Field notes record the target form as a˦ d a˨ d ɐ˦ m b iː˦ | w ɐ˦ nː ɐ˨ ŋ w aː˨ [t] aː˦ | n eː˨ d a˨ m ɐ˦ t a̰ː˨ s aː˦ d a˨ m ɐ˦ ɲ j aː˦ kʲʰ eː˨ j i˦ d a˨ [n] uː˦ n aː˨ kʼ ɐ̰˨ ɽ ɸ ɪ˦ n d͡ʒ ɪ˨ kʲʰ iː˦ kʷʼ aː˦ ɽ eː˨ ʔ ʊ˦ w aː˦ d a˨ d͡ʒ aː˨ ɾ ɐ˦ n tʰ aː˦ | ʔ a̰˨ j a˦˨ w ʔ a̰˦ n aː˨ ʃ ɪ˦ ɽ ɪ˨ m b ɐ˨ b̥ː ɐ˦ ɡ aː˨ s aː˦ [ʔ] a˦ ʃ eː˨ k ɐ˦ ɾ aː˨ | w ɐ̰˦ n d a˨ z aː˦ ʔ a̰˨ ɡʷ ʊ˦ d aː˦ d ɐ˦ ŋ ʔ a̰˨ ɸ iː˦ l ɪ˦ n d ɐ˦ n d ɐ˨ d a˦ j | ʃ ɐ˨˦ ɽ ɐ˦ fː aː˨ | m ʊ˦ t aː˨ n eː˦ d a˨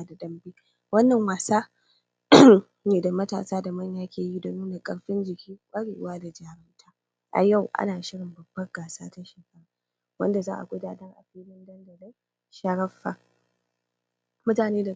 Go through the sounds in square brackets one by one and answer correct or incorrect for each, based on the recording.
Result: incorrect: s, correct, incorrect: t

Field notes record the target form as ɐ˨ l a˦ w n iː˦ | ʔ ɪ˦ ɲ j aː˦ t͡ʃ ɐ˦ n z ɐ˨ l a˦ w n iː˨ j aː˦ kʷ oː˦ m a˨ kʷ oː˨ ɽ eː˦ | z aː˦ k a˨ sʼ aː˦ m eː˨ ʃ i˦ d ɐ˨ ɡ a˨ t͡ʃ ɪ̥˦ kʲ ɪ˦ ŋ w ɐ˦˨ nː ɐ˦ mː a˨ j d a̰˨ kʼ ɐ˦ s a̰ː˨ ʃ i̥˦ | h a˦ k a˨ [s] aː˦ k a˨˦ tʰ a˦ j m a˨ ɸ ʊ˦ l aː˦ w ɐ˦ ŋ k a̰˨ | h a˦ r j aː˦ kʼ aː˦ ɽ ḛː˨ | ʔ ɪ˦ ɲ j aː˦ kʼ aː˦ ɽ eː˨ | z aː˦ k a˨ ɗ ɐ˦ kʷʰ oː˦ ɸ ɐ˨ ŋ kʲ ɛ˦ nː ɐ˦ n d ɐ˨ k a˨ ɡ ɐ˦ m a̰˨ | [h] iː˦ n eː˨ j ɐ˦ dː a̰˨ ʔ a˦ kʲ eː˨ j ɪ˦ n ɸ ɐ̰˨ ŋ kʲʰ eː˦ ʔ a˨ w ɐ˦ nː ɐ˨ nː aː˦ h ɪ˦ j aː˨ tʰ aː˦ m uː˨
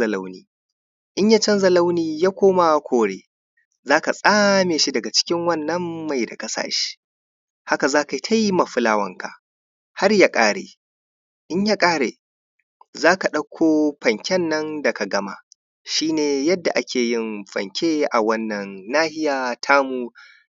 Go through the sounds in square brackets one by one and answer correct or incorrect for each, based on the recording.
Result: incorrect: z, incorrect: ʃ

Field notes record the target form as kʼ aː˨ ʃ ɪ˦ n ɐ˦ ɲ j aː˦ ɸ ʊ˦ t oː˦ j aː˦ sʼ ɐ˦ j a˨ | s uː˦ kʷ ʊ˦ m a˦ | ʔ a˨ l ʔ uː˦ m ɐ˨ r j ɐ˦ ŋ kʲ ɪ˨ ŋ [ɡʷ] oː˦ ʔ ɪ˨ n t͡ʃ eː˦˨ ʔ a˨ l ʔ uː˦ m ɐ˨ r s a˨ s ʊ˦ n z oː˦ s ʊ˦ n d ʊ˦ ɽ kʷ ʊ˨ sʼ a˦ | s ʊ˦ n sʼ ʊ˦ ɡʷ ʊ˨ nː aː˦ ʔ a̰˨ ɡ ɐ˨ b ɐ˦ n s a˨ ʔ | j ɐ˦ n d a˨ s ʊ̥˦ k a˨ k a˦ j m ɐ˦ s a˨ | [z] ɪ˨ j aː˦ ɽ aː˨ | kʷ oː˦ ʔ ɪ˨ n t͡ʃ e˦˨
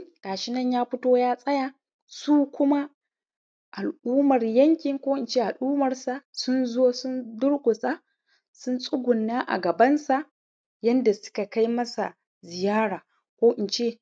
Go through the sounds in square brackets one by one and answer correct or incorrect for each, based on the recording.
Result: incorrect: kʷ, correct

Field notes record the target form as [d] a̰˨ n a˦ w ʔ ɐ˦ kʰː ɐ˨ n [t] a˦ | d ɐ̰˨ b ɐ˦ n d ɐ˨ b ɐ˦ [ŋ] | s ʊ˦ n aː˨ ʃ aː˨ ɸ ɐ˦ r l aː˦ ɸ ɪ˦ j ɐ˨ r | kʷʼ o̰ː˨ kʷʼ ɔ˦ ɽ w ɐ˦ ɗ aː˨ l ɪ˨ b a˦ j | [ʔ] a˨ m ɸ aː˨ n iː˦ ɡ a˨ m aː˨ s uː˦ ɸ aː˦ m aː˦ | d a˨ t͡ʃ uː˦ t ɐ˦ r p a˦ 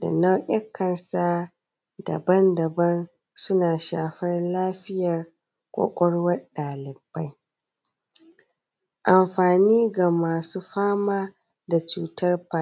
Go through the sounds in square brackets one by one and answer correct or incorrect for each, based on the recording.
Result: correct, incorrect: s, incorrect: n, correct

